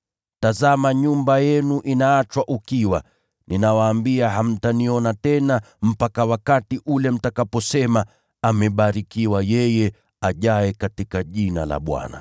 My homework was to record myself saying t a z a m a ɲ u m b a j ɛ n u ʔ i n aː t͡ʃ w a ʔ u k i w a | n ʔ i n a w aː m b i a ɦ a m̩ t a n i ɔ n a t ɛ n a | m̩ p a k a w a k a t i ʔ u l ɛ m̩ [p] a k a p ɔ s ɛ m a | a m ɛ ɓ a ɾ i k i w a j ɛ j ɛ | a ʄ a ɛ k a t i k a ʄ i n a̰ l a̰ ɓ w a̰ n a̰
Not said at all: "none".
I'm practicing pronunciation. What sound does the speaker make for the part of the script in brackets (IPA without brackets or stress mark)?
t